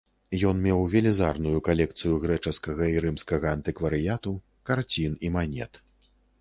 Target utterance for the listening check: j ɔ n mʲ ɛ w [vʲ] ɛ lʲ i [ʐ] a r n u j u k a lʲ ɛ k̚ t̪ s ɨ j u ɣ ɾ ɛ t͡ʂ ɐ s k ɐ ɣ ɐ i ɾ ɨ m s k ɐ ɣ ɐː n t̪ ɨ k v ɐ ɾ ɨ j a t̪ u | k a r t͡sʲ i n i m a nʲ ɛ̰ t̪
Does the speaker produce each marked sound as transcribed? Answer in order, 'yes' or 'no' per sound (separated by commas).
yes, no